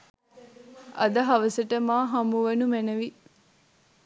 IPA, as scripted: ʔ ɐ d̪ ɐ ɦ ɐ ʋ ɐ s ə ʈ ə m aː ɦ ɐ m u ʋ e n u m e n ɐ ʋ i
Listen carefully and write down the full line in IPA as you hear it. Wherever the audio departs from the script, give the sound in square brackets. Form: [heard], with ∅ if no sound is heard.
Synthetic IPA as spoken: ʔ ɐ d̪ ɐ ɦ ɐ ʋ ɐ s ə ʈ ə m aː ɦ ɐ m u ʋ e n u m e n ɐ ʋ i

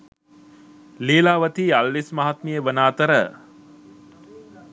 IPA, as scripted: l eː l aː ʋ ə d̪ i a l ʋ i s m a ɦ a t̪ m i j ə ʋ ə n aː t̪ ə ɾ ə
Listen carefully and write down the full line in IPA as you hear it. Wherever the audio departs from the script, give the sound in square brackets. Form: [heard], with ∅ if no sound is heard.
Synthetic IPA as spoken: l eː l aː ʋ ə [t̪] i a l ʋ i s m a ɦ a t̪ m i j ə ʋ ə n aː t̪ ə ɾ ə

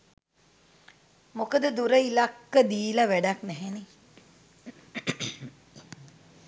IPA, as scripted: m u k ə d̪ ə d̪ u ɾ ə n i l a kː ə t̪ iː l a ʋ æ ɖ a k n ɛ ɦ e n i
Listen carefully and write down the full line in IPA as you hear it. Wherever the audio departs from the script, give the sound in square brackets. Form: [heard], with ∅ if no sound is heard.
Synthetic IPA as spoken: m [o] k ə d̪ ə d̪ u ɾ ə [∅] i l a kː ə [d̪] iː l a ʋ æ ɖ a k n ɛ ɦ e n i

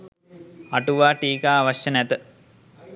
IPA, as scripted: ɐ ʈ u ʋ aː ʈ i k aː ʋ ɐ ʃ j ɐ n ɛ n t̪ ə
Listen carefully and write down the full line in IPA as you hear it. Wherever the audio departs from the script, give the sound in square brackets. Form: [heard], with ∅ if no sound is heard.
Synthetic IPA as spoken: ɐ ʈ u ʋ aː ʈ [iː] k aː ʋ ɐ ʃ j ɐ n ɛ [∅] t̪ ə

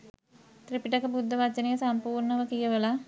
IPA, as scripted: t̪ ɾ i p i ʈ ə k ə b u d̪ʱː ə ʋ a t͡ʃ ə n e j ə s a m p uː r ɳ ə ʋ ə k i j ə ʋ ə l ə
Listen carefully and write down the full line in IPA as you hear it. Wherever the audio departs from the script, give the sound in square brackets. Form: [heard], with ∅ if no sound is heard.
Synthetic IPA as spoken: t̪ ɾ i p i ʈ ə k ə b u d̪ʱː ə ʋ a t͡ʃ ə n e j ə s a m p uː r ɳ ə ʋ ə k i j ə ʋ ə l [a]

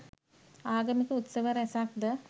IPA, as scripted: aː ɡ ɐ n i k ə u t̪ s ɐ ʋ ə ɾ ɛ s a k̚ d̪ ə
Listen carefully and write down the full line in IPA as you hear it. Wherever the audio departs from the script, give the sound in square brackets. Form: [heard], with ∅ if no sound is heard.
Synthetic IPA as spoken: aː ɡ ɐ [m] i k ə u t̪ s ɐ ʋ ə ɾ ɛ s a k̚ d̪ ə

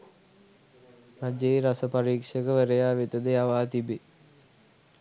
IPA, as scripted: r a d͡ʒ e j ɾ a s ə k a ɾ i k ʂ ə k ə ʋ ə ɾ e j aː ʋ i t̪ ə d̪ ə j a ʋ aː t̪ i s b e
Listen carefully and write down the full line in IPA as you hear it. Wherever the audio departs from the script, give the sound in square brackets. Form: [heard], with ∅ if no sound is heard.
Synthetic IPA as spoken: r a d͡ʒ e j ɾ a s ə [p] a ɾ [iː] k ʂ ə k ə ʋ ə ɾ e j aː ʋ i t̪ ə d̪ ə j a ʋ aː t̪ i [∅] b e

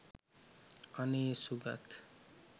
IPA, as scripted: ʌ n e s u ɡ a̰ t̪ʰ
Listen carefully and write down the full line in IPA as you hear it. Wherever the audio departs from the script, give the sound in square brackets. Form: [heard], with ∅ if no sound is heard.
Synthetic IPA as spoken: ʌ n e s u ɡ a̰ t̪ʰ

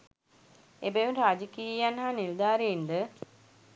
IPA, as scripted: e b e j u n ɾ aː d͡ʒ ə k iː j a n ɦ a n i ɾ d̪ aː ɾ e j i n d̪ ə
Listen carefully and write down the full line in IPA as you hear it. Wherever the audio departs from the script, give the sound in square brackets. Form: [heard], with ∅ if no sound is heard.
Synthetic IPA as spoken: e b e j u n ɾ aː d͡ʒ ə k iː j a n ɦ a n i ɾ d̪ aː ɾ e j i n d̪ ə

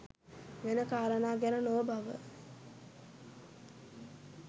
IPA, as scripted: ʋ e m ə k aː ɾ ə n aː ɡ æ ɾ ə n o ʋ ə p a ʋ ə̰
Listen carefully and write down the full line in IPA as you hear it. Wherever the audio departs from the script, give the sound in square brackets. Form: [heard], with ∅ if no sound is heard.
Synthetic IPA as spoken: ʋ e [n] ə k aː ɾ ə n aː ɡ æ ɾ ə n o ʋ ə [b] a ʋ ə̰

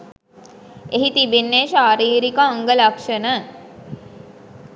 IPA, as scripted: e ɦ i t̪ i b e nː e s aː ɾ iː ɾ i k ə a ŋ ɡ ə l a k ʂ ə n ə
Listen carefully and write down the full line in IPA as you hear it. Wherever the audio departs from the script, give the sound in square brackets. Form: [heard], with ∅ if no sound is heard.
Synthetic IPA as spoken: e ɦ i t̪ i b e nː e [ʃ] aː ɾ iː ɾ i k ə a ŋ ɡ ə l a k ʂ ə n ə

